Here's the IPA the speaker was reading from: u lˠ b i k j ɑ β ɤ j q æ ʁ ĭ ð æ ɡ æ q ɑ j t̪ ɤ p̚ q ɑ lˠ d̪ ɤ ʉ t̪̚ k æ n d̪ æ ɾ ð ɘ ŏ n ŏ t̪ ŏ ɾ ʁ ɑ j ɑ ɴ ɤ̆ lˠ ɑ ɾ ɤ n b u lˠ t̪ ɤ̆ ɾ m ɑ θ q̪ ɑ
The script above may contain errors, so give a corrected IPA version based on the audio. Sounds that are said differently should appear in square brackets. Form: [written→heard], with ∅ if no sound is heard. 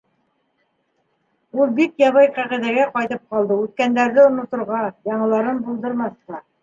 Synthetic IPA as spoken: u lˠ b i k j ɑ β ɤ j q æ ʁ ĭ ð æ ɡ æ q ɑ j t̪ ɤ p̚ q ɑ lˠ d̪ ɤ ʉ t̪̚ k æ n d̪ æ ɾ ð ɘ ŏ n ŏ t̪ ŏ ɾ ʁ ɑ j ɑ ɴ ɤ̆ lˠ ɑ ɾ ɤ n b u lˠ [t̪→d̪] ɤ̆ ɾ m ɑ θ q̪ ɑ